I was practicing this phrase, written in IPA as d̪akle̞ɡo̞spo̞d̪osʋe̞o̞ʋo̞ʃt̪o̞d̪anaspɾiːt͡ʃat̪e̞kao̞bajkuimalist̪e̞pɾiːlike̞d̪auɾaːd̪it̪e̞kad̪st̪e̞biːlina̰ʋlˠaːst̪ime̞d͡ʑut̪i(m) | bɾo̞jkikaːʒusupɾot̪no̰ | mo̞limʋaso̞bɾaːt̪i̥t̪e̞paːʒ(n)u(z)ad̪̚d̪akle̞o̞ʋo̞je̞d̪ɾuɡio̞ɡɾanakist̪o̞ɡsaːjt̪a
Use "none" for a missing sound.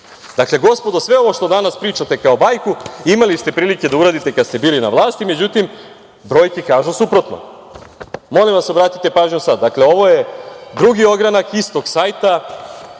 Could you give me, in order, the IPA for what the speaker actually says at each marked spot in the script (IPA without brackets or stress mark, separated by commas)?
m, ɲ, s